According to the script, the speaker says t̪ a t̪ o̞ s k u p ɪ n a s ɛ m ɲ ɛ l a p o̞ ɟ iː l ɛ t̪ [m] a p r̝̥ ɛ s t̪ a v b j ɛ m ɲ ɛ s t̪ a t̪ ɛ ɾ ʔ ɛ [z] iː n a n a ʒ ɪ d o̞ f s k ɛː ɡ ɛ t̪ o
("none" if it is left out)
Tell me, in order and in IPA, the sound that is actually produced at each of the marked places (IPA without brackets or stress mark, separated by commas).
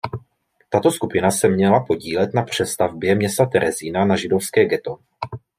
n, z